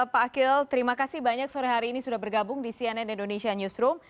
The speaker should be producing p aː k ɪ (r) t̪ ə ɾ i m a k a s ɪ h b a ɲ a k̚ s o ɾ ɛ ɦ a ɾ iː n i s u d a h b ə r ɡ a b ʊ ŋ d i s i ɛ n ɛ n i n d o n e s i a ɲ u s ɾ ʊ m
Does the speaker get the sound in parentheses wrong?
yes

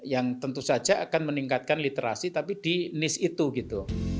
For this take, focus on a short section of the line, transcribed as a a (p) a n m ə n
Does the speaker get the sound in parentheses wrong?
yes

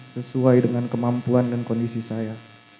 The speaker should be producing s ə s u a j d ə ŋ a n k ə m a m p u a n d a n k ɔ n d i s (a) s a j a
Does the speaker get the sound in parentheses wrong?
yes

